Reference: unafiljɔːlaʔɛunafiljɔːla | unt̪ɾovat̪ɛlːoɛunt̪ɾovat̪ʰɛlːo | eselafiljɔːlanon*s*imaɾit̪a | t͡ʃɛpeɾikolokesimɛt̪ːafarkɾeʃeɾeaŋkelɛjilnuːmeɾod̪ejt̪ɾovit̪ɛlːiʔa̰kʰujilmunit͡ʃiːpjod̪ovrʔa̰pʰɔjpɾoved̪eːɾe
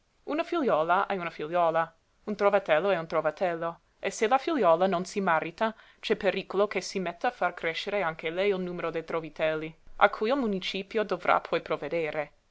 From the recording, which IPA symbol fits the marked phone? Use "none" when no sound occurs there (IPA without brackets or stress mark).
s